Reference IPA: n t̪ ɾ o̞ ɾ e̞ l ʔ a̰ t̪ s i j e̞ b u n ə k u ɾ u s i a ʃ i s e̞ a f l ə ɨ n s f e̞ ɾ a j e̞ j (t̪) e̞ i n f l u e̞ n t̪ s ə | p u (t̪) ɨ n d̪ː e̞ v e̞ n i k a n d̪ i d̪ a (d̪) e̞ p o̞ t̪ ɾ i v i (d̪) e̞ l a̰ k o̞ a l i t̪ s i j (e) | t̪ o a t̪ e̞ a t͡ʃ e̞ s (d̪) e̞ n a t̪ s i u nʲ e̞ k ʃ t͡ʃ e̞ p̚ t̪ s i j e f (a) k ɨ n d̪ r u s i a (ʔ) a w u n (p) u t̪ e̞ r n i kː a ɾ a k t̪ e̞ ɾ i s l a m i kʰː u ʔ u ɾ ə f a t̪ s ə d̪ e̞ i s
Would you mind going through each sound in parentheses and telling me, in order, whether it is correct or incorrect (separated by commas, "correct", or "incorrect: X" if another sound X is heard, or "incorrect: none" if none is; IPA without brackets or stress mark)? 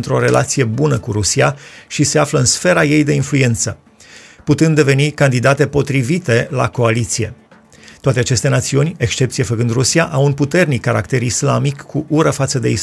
incorrect: d̪, correct, incorrect: t̪, incorrect: t̪, correct, incorrect: t̪, incorrect: ə, correct, correct